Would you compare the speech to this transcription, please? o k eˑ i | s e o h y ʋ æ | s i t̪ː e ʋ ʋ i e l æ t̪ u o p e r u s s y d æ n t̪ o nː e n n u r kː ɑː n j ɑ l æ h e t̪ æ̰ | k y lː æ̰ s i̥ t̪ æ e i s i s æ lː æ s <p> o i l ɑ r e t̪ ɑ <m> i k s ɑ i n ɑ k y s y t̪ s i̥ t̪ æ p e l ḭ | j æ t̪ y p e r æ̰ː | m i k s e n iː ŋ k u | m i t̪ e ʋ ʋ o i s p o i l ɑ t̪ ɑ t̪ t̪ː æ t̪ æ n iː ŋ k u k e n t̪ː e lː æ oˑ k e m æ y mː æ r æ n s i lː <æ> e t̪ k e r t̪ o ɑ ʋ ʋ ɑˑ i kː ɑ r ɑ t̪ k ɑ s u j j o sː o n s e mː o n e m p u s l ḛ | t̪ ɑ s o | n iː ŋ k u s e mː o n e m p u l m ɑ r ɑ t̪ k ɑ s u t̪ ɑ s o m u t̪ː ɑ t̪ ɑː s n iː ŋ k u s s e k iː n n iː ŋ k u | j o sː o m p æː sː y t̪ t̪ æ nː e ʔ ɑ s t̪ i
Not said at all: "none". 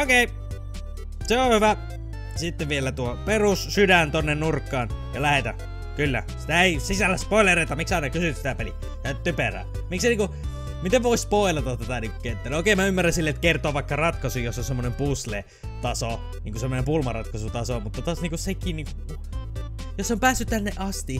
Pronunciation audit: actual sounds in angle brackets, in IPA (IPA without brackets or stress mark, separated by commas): p, m, e